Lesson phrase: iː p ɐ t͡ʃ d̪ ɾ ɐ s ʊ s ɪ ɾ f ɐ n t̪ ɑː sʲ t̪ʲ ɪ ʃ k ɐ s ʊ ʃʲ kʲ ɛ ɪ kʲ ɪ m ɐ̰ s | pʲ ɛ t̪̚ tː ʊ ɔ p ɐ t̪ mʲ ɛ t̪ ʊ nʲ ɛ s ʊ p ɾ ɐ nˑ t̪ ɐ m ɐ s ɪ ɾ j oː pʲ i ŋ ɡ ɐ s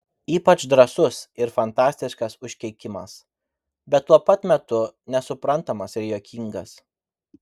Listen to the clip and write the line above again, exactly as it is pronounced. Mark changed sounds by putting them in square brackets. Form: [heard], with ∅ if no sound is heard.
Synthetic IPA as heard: iː p ɐ t͡ʃ d̪ ɾ ɐ s ʊ s ɪ ɾ f ɐ n t̪ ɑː sʲ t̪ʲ ɪ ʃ k ɐ s ʊ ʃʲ kʲ ɛ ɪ kʲ ɪ m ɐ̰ s | [bʲ] ɛ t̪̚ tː [u] ɔ p ɐ t̪ mʲ ɛ t̪ ʊ nʲ ɛ s ʊ p ɾ ɐ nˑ t̪ ɐ m ɐ s ɪ ɾ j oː [kʲ] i ŋ ɡ ɐ s